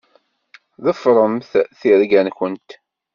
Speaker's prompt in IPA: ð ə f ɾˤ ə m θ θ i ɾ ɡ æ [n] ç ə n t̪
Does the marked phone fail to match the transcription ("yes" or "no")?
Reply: no